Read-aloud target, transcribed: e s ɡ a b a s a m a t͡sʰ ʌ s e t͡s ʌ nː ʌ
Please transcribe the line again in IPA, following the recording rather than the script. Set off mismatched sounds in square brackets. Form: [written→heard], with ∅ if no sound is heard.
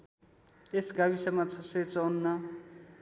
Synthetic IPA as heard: e s ɡ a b [a→i] s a m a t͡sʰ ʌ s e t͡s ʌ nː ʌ